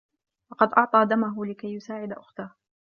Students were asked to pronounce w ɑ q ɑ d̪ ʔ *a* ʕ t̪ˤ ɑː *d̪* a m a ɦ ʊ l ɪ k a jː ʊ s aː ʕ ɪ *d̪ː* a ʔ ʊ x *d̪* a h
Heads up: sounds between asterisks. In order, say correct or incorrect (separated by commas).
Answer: incorrect, correct, incorrect, incorrect